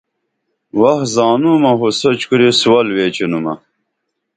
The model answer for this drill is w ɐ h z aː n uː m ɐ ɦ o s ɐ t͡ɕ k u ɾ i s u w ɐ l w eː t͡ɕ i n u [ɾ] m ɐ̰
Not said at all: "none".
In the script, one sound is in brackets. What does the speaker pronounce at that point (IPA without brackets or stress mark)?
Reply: none